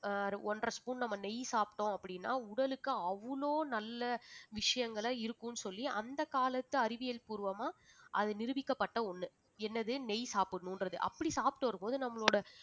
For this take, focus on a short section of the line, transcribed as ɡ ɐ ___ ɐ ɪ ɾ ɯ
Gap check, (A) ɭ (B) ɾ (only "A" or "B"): A